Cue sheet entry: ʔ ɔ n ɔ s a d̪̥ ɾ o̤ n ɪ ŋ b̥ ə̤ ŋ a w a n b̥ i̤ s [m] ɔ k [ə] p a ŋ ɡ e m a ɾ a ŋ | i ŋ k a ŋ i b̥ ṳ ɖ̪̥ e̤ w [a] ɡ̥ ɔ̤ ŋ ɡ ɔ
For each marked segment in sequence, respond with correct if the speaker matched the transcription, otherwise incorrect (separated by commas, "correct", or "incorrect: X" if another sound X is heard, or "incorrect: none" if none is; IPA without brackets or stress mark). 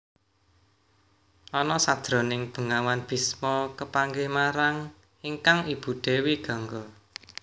correct, correct, incorrect: i